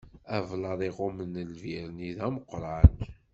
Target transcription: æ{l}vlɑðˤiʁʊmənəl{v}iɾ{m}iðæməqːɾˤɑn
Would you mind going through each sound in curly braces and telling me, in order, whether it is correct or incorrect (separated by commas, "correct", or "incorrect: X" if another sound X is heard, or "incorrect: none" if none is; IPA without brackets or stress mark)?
incorrect: none, correct, incorrect: n